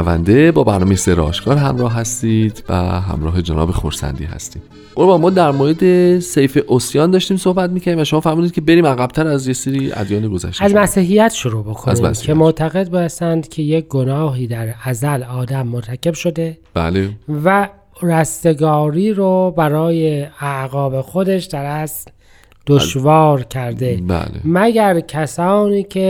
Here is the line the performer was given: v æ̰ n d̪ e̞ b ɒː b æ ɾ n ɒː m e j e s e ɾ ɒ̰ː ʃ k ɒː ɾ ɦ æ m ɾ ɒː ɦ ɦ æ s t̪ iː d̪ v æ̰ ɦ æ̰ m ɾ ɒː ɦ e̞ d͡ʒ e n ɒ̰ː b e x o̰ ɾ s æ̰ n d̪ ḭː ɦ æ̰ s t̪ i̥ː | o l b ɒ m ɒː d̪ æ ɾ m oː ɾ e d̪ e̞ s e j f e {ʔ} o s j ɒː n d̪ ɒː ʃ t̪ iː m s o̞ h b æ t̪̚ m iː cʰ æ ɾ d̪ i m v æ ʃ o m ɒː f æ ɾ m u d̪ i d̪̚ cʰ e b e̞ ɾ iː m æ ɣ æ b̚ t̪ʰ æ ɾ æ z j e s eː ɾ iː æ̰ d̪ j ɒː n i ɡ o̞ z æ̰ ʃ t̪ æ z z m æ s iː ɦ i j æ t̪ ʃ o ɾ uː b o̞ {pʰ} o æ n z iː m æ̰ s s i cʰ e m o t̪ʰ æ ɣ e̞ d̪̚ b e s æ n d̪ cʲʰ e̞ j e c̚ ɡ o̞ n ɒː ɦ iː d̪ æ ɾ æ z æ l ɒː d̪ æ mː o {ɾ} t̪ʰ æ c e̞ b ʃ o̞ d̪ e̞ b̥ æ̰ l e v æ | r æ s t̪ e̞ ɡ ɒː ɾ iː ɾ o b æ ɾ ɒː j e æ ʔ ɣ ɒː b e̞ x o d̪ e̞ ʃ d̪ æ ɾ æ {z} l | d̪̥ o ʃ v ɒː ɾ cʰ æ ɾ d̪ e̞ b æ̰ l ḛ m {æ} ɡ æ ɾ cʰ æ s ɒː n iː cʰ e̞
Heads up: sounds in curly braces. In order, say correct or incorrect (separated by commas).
correct, incorrect, correct, incorrect, correct